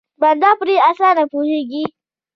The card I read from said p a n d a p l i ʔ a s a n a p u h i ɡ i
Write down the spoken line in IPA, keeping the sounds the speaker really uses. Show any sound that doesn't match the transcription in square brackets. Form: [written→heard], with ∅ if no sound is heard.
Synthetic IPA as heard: [p→b] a n d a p [l→ɾ] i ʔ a s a n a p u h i ɡ i